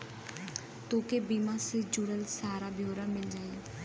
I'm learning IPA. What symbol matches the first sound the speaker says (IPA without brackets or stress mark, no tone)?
t̪